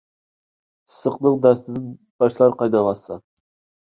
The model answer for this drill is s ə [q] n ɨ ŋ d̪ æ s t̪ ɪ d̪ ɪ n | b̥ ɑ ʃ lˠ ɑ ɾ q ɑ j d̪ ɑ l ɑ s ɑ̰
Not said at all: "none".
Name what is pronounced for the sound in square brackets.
q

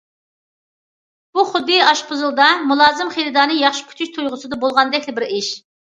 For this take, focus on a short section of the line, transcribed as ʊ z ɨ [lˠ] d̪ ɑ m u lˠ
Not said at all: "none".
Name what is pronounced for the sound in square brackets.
lˠ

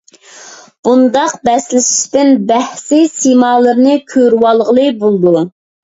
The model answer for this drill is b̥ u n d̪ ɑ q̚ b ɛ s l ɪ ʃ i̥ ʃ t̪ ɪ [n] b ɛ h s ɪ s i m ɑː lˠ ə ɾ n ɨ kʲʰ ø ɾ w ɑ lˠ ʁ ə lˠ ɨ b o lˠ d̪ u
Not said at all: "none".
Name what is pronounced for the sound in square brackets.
n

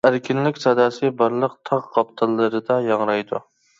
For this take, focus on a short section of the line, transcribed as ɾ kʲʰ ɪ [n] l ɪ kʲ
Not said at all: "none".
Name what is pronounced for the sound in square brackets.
n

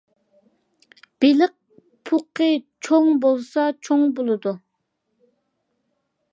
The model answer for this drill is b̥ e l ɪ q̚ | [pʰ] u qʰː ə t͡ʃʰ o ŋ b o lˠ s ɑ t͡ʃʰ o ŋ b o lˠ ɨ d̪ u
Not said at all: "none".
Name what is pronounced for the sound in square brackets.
pʰ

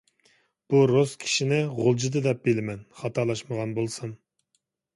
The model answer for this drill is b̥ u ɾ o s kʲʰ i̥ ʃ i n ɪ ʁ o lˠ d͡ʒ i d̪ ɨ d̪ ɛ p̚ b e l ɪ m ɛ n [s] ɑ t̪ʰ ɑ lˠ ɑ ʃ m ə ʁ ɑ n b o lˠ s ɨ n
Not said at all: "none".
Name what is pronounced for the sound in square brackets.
χ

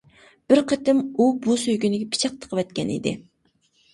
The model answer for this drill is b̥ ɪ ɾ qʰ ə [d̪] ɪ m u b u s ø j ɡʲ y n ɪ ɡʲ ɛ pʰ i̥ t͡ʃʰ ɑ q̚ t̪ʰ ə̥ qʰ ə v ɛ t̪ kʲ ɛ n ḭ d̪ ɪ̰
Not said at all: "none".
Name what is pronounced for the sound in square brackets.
t̪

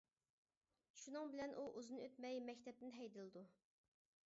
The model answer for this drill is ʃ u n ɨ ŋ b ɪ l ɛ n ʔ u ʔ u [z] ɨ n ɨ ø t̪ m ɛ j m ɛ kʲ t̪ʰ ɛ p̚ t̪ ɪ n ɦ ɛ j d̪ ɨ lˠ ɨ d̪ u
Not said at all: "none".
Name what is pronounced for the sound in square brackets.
z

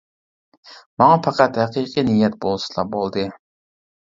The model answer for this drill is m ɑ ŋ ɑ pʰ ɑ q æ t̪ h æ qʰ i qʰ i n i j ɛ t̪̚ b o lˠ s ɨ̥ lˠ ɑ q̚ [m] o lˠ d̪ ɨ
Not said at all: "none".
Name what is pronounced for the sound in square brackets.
b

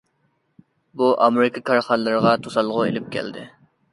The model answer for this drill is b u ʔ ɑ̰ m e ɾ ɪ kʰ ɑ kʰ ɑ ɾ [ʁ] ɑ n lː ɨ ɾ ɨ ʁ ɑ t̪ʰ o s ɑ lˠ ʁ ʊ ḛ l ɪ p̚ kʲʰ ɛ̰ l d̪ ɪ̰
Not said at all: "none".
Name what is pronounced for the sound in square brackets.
χ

